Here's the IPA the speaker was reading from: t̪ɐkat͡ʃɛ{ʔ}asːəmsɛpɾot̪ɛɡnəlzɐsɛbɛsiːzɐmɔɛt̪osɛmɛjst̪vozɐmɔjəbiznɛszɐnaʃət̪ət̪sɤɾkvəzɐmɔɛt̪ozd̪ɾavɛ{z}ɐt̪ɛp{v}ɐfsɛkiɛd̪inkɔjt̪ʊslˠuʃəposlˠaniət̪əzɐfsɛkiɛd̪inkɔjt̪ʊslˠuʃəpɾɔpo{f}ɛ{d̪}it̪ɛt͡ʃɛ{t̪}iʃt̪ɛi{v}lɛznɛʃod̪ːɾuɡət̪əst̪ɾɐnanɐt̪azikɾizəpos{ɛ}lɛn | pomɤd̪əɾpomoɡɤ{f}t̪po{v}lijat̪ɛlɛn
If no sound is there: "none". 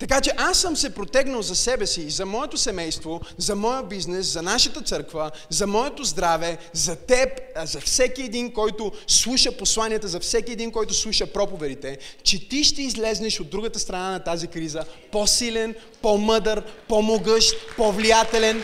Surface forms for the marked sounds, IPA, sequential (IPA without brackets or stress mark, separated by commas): ʔ, z, z, v, d̪, t̪, z, i, ʃ, v